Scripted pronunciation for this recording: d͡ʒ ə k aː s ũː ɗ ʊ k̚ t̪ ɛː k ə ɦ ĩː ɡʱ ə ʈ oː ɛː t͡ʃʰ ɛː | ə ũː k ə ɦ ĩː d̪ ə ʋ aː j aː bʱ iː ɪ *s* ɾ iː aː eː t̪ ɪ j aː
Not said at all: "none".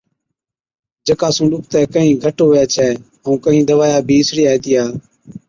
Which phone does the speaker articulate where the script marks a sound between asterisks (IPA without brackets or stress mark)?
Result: s